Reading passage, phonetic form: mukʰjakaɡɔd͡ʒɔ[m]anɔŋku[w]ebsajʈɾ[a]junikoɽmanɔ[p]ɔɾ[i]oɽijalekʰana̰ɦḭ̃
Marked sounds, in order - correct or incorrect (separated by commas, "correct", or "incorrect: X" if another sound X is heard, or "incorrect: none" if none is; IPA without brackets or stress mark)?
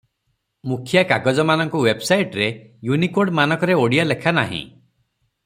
correct, correct, incorrect: e, incorrect: k, incorrect: e